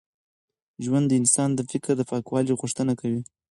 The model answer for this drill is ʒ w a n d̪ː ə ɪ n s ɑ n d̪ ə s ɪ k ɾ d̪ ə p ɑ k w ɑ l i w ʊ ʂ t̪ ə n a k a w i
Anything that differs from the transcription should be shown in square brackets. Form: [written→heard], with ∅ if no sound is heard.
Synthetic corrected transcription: ʒ w a n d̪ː ə ɪ n s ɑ n d̪ ə [s→f] ɪ k ɾ d̪ ə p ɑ k w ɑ l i [w→ɣ] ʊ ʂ t̪ ə n a k a w i